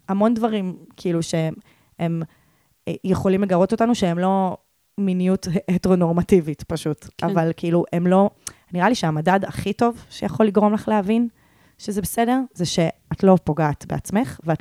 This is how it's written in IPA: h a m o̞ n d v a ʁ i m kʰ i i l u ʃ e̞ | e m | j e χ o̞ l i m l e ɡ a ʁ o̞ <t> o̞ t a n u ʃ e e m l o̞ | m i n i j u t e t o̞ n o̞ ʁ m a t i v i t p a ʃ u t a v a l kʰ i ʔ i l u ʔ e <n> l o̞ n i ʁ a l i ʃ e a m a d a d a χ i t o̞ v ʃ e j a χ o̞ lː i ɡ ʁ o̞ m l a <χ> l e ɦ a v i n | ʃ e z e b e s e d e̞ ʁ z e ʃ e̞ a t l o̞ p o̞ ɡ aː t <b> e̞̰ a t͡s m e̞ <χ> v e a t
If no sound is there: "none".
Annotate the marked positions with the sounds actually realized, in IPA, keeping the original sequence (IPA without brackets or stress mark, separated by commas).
t, m, χ, b, χ